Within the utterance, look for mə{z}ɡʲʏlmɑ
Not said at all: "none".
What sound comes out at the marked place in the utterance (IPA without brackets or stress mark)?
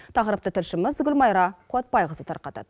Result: z